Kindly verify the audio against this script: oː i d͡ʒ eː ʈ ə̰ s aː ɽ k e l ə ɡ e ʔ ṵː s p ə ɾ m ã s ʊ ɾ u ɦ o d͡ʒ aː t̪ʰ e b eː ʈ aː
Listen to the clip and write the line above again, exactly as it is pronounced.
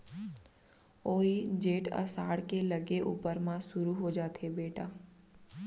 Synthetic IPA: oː i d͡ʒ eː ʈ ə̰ s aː ɽ k e l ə ɡ e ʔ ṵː p ə ɾ m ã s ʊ ɾ u ɦ o d͡ʒ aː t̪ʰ e b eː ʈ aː